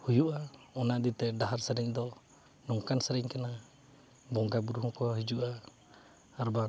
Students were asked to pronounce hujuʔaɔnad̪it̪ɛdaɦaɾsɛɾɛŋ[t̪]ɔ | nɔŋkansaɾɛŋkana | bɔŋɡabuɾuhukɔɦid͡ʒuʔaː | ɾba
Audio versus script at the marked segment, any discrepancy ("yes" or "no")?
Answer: yes